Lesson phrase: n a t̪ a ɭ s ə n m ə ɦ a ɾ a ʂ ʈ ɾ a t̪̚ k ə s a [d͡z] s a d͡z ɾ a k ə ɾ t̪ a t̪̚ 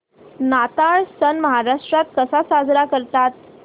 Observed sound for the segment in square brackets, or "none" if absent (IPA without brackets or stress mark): none